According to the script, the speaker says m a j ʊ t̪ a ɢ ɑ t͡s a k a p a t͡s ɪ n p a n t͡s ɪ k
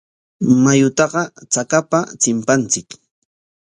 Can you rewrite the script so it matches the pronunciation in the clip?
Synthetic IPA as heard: m a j ʊ t̪ ɑ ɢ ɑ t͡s a k a p a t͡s ɪ m p a n t͡s ɪ k